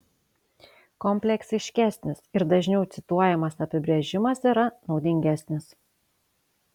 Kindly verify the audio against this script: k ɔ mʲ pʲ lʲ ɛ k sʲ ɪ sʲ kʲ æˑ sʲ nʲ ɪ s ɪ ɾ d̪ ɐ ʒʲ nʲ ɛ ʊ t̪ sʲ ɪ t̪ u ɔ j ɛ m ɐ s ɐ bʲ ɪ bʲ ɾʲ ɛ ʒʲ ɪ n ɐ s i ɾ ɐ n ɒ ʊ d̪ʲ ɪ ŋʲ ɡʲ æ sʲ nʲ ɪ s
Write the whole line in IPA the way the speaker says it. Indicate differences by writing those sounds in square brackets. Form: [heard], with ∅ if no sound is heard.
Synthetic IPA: k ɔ mʲ pʲ lʲ ɛ k sʲ ɪ [ʃʲ] kʲ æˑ sʲ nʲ ɪ s ɪ ɾ d̪ ɐ ʒʲ nʲ ɛ ʊ t̪ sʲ ɪ t̪ u ɔ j ɛ m ɐ s ɐ [pʲ] ɪ bʲ ɾʲ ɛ ʒʲ ɪ [m] ɐ s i ɾ ɐ n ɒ ʊ d̪ʲ ɪ ŋʲ ɡʲ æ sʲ nʲ ɪ s